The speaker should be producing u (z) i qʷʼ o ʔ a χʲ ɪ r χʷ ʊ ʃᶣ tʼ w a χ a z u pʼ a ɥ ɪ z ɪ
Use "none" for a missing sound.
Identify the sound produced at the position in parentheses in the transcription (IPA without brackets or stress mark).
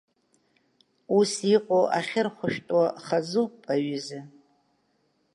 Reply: s